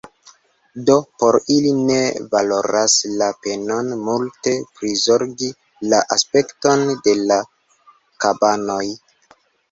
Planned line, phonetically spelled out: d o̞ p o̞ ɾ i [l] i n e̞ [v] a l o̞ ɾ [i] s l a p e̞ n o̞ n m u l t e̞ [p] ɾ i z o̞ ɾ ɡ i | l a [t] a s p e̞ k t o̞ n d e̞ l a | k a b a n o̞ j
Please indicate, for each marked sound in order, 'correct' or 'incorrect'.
correct, correct, incorrect: a, correct, incorrect: ʔ

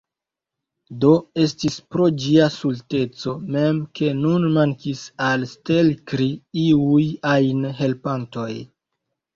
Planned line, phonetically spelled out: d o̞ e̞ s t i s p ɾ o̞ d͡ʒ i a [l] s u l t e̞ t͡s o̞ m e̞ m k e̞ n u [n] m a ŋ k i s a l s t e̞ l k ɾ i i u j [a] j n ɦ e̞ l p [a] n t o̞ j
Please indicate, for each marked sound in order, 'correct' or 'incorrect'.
incorrect: none, correct, correct, correct

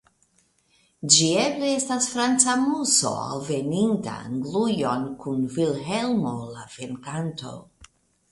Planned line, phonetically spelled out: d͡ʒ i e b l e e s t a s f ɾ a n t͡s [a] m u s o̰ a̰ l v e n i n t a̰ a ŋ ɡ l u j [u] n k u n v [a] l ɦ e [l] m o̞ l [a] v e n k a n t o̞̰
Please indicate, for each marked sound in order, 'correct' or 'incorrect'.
correct, incorrect: o, incorrect: i, correct, correct

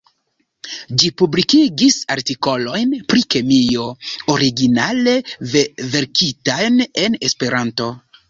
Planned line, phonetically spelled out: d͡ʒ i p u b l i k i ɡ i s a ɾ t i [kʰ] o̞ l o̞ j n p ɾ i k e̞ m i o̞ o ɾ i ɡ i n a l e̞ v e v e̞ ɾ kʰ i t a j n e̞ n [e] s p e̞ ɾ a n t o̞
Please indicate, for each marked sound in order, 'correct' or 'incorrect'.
incorrect: k, correct

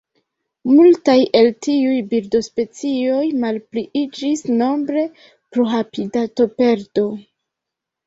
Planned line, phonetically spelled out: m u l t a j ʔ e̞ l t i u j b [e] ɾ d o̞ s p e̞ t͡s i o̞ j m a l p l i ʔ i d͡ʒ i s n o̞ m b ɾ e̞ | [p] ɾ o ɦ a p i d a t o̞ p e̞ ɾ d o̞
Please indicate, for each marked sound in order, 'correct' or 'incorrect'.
incorrect: i, correct

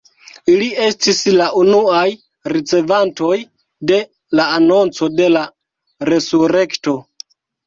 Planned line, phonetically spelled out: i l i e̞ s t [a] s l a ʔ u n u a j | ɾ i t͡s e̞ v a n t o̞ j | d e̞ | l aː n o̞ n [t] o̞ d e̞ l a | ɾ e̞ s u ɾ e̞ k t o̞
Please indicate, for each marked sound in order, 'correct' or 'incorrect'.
incorrect: i, incorrect: t͡s

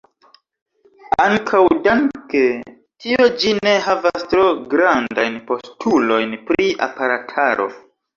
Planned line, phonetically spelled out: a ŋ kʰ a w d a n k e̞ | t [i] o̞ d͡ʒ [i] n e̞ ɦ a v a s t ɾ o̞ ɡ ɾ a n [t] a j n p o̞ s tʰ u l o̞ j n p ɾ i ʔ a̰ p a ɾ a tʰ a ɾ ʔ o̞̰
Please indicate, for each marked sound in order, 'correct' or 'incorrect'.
correct, correct, incorrect: d

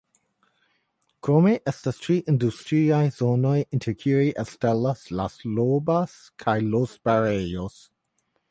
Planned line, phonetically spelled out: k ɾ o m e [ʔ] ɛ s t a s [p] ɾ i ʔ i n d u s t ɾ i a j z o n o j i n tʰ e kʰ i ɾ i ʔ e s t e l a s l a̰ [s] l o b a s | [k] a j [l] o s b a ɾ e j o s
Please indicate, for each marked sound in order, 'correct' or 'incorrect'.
correct, incorrect: t, correct, incorrect: kʰ, correct

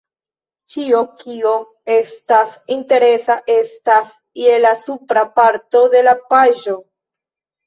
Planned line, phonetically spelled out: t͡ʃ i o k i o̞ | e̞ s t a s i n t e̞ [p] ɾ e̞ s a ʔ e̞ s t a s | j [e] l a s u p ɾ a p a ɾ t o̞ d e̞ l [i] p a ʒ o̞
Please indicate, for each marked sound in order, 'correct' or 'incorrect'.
incorrect: none, correct, incorrect: a

